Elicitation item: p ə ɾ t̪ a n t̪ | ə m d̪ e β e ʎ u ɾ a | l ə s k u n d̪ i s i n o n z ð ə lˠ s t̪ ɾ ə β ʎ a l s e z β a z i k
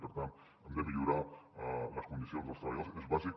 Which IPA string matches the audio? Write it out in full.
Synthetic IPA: p ə ɾ t̪ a n t̪ | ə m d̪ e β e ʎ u ɾ a | l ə s k u n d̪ i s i o n z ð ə lˠ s t̪ ɾ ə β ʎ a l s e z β a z i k